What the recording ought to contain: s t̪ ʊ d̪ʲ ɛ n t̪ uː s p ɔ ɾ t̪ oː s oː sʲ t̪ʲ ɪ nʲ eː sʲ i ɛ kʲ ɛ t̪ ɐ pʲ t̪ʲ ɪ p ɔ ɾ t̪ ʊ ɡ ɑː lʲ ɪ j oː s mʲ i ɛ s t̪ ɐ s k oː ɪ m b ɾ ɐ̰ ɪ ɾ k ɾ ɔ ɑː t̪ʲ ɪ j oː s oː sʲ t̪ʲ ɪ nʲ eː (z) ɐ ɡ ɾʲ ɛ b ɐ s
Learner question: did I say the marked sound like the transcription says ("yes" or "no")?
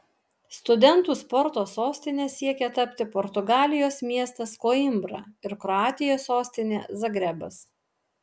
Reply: yes